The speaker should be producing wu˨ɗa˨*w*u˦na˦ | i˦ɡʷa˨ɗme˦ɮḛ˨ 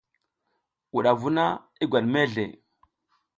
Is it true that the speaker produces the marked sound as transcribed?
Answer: no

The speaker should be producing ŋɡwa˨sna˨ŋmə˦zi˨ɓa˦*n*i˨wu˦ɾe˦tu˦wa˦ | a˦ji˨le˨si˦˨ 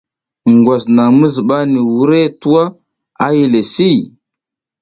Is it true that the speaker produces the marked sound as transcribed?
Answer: yes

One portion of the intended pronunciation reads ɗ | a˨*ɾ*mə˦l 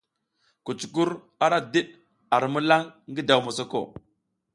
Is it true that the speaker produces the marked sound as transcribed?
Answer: yes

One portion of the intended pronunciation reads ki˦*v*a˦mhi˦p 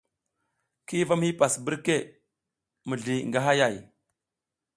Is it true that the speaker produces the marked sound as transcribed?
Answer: yes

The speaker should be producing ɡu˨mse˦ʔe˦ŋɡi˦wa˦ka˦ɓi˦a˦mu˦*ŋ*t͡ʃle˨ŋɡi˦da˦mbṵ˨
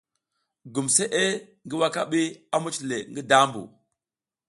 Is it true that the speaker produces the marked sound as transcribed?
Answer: no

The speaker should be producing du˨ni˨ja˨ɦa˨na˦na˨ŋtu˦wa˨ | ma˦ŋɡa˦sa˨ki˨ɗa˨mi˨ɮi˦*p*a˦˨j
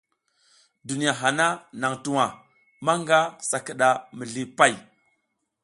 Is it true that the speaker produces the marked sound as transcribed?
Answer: yes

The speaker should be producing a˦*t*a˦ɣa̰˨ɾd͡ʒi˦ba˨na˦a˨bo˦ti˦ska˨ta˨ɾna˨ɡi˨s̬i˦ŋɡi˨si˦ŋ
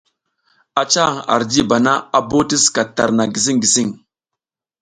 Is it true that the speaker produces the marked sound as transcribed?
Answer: no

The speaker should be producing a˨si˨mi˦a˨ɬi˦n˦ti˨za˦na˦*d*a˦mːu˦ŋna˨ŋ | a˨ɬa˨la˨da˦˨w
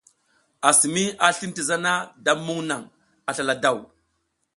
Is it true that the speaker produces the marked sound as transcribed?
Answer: yes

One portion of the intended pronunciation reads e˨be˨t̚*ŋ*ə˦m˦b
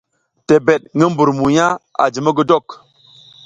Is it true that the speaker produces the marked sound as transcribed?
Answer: yes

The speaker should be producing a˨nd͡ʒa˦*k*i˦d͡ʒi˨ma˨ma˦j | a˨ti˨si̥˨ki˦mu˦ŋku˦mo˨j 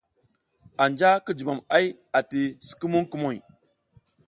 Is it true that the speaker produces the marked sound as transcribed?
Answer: yes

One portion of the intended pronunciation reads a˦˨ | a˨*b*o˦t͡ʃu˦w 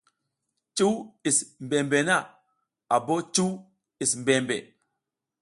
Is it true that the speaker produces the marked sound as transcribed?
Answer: yes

